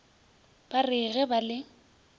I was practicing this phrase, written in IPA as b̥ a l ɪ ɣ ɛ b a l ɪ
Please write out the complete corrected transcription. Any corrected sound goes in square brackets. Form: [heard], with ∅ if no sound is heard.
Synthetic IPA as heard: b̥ a [r] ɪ ɣ ɛ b a l ɪ